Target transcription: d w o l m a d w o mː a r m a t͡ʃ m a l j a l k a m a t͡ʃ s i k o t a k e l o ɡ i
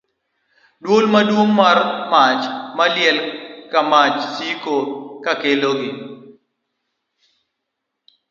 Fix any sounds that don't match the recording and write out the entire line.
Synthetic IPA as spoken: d w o l m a d w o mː a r m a t͡ʃ m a l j ɛ l k a m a t͡ʃ s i k o k a k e l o ɡ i